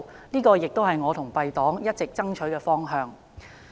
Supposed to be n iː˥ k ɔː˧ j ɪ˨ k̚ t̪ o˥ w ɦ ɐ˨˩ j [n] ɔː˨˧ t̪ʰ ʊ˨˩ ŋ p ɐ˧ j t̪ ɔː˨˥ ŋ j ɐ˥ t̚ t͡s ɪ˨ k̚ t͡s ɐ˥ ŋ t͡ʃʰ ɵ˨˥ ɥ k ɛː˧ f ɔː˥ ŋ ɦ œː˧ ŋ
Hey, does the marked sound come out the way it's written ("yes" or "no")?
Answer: no